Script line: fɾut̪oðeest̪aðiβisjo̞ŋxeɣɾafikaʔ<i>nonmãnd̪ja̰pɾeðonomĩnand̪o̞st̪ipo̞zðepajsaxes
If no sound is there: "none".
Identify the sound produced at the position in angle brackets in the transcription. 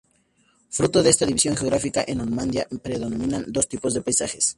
e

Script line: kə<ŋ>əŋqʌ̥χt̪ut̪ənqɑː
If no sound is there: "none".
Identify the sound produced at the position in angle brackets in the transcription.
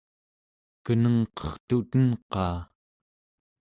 n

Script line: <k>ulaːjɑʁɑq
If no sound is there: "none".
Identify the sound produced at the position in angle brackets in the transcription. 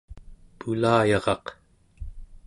p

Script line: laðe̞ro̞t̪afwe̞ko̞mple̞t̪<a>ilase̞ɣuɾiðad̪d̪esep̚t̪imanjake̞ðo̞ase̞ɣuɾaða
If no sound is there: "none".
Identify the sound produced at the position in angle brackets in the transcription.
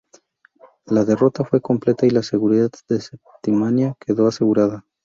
a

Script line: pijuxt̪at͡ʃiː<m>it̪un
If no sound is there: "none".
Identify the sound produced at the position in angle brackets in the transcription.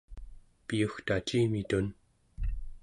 m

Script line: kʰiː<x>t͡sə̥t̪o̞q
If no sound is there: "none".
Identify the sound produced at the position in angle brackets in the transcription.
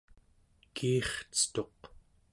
χ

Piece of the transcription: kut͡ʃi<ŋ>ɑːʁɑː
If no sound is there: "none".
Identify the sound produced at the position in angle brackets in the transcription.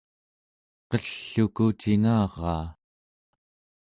ŋ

